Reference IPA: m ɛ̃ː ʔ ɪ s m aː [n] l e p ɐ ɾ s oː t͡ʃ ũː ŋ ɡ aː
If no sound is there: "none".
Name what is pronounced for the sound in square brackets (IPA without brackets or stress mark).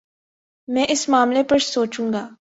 m